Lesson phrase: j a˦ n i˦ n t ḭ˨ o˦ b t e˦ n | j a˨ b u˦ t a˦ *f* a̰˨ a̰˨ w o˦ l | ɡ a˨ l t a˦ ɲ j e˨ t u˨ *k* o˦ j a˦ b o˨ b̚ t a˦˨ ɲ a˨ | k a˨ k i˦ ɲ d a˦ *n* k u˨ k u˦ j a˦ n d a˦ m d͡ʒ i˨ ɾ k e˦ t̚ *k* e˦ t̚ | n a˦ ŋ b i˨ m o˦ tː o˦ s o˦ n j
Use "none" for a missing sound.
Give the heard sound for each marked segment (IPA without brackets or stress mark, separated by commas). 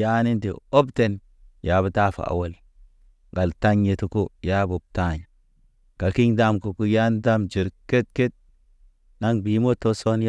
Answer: f, k, m, k